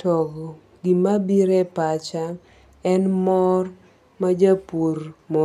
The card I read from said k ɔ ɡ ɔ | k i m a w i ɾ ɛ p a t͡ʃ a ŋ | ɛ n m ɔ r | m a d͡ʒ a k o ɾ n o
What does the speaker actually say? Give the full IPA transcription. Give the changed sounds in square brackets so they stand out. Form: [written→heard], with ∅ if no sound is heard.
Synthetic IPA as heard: [k→t] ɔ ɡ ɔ | [k→ɡ] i m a [w→b] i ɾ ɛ p a t͡ʃ a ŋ | ɛ n m ɔ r | m a d͡ʒ a [k→p] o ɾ [n→m] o